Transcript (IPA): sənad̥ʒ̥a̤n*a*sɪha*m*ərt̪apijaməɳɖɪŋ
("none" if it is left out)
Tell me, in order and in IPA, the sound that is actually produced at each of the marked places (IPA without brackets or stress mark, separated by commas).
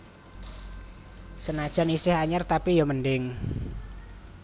i, ɲ